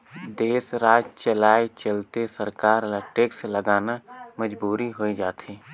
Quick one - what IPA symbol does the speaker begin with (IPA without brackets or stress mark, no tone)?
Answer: d̪